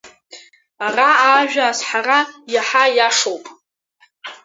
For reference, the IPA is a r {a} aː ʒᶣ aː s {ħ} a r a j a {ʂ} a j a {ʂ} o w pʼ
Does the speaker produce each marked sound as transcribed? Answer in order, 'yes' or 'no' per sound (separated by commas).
yes, yes, no, yes